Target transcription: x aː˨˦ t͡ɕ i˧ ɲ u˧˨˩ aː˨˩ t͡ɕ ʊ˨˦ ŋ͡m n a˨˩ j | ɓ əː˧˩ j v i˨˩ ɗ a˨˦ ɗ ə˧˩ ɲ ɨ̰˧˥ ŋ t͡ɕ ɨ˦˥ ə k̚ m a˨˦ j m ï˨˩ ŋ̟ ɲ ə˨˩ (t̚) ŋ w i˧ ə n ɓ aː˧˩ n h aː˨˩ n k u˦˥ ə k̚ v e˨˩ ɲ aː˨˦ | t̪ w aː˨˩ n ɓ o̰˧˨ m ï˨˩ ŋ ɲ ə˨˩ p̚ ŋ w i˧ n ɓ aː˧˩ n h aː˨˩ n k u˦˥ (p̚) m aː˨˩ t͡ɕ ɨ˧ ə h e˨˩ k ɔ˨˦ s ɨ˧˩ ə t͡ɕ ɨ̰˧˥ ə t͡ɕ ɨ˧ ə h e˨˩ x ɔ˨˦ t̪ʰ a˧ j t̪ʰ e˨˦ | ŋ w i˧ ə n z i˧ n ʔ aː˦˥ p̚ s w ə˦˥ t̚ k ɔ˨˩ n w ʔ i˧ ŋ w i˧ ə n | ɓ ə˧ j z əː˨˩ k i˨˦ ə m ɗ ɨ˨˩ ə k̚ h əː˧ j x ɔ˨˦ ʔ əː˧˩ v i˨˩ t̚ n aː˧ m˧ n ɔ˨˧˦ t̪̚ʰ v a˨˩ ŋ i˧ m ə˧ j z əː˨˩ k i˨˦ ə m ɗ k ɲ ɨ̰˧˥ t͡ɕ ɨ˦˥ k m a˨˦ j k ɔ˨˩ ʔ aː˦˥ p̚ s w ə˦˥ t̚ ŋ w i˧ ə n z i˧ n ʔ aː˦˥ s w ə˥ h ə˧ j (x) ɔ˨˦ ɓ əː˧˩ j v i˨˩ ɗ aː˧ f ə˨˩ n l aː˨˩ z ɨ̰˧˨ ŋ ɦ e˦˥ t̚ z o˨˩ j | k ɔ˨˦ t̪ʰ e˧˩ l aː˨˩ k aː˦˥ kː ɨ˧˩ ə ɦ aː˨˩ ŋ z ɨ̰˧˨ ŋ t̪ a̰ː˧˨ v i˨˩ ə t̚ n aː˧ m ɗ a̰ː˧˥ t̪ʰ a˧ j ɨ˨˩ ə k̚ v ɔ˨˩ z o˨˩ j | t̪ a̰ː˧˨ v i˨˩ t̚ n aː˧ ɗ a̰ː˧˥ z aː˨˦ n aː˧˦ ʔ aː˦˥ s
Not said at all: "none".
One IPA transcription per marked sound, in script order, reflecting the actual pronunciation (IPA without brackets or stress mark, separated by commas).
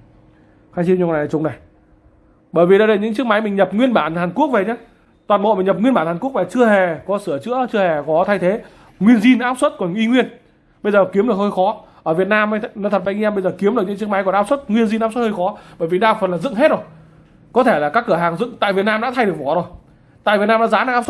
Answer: p̚, k̚, x